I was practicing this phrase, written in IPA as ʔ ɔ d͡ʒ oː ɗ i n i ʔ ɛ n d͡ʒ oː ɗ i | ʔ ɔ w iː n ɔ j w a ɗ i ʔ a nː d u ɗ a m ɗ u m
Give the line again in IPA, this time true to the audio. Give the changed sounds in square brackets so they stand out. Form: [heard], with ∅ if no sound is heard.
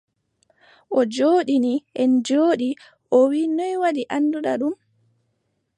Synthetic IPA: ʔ ɔ d͡ʒ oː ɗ i n i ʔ ɛ n d͡ʒ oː ɗ i | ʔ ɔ w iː n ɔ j w a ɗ i ʔ a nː d u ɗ a [∅] ɗ u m